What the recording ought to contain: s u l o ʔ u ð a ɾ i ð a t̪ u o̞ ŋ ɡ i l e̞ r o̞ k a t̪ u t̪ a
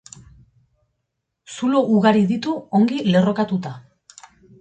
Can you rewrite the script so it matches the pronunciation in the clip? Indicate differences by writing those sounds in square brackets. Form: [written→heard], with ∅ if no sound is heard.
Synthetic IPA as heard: s u l o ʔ u [ð→ɣ] a ɾ i ð [a→i] t̪ u o̞ ŋ ɡ i l e̞ r o̞ k a t̪ u t̪ a